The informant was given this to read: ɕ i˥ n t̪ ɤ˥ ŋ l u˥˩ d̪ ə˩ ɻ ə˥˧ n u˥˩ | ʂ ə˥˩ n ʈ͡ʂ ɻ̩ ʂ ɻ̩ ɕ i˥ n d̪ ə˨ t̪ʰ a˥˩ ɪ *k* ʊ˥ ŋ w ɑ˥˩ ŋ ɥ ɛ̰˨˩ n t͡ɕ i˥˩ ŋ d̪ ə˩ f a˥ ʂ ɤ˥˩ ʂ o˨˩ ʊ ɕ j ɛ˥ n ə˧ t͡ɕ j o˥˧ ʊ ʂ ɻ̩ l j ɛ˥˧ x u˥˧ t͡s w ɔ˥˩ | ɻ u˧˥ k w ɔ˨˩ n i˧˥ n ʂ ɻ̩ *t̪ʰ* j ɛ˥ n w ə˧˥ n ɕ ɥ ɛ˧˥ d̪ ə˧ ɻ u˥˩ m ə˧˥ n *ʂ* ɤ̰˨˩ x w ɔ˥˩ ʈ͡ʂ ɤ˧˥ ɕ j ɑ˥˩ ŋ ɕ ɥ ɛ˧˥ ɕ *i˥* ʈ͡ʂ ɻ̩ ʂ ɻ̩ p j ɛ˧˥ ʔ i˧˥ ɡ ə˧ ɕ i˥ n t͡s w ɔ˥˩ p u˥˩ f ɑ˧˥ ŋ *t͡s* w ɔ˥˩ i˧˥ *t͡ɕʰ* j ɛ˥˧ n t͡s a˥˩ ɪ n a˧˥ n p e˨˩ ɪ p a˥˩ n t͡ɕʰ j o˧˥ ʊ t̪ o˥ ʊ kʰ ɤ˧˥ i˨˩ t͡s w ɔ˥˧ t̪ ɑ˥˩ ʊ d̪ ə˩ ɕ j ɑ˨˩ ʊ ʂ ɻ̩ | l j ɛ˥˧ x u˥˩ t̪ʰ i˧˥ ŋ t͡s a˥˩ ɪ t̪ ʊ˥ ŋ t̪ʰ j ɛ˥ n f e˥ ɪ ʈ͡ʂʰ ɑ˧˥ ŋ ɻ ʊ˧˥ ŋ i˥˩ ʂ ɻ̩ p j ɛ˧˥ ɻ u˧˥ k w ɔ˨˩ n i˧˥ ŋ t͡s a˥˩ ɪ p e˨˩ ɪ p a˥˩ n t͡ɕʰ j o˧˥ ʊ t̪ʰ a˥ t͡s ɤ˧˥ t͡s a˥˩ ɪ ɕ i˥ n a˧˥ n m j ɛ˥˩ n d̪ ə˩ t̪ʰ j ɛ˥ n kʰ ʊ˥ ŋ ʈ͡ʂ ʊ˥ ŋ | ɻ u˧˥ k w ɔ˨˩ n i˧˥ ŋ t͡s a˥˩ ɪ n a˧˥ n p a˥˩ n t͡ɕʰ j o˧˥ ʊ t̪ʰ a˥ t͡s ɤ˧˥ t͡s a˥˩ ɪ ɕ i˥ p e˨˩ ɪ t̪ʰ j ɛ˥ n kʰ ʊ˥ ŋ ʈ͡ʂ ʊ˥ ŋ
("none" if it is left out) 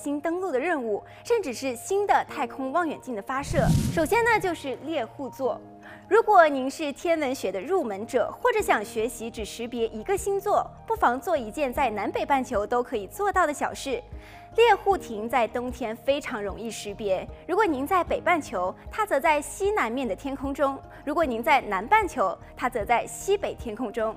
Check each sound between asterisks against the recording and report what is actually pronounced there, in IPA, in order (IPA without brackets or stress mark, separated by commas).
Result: kʰ, t̪ʰ, ʈ͡ʂ, i˧˥, t͡s, t͡ɕ